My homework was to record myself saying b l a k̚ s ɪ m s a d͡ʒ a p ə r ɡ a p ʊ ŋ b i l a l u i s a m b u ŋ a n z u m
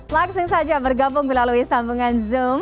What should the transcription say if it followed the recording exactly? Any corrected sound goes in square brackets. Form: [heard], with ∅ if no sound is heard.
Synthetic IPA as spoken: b l a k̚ s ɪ [ŋ] s a d͡ʒ a [b] ə r ɡ a [b] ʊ ŋ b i l a l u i s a m b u ŋ a n z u m